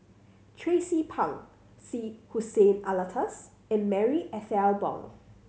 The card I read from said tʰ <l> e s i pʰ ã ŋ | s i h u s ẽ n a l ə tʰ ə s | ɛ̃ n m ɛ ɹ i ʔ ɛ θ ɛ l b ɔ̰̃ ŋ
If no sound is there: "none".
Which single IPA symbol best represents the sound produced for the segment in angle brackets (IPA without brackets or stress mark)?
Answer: ɹ